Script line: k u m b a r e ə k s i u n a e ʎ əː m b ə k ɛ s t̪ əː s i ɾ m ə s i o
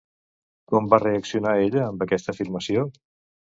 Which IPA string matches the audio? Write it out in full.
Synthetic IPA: k ɔ m b a r e ə k s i u n a e ʎ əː m b ə k ɛ s t̪ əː f i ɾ m ə s i o